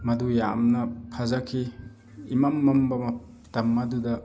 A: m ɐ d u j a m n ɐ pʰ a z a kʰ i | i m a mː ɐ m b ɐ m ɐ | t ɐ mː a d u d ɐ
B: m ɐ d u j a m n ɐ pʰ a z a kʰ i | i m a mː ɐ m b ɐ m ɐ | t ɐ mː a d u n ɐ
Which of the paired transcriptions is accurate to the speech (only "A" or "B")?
A